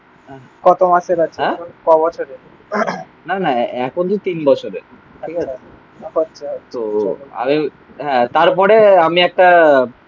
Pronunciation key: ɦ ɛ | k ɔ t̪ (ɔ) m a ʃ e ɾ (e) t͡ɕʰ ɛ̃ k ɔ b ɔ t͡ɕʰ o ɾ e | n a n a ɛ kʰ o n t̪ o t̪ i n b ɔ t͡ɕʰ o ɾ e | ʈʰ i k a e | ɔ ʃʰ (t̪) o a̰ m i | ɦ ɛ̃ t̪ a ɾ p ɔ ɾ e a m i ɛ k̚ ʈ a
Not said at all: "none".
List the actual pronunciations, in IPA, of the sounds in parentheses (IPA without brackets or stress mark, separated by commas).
o, a, t̪